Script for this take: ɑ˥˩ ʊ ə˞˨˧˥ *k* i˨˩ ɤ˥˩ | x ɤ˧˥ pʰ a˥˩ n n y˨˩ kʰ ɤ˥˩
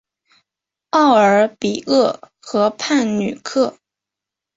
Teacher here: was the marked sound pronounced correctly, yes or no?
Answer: no